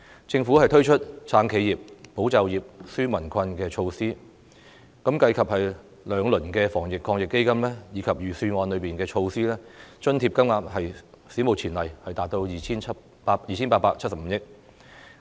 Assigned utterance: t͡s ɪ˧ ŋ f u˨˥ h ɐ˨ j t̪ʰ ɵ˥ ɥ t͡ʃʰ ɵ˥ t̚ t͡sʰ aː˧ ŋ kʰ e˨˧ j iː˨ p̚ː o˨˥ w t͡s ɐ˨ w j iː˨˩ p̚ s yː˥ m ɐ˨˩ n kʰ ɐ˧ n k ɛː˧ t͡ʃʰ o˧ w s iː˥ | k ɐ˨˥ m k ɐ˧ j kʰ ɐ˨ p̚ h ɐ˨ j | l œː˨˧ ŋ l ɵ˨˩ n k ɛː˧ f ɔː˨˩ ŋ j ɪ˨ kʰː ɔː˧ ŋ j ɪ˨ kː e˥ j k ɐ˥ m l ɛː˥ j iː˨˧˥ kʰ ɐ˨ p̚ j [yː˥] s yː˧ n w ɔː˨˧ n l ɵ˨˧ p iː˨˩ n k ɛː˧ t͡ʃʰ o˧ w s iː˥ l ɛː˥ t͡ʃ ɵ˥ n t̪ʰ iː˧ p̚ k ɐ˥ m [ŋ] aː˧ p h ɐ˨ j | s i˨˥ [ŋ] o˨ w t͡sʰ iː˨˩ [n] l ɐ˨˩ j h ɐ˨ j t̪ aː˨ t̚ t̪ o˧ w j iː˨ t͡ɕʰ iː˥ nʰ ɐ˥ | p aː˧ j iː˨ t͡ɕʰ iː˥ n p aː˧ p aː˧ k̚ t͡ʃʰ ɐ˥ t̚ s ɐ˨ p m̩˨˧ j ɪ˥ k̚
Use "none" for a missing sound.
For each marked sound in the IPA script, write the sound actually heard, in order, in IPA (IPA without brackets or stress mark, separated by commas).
yː˨˩, ŋ, m, n